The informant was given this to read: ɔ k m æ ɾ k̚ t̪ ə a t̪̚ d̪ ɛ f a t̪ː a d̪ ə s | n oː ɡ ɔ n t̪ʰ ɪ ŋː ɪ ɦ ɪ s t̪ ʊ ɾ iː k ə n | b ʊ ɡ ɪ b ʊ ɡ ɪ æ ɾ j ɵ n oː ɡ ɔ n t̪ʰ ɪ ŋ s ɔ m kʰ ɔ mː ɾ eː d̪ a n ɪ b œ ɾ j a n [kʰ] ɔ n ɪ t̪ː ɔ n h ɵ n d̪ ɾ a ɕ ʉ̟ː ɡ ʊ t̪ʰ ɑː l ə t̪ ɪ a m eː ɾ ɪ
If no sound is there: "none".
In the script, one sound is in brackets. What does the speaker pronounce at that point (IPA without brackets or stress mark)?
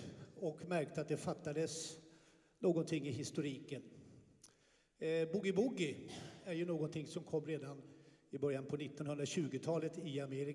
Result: pʰ